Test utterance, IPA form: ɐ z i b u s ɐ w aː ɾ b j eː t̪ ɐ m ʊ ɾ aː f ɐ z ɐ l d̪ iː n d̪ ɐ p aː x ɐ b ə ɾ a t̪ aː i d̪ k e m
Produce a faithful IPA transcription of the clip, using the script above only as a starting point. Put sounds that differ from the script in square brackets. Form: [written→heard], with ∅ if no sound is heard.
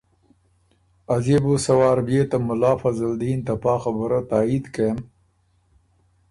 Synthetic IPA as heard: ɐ z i b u s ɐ w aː ɾ b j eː t̪ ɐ m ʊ [ɾ→l] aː f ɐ z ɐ l d̪ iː n [d̪→t̪] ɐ p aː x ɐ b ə ɾ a t̪ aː i d̪ k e m